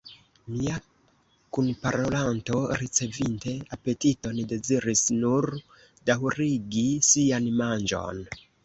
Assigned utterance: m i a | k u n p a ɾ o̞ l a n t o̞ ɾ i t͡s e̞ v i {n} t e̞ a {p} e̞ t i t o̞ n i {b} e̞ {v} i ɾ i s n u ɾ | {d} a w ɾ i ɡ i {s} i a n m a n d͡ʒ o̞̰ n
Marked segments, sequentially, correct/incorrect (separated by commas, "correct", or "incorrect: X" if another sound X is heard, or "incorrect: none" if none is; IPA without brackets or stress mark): correct, correct, incorrect: d, incorrect: z, correct, correct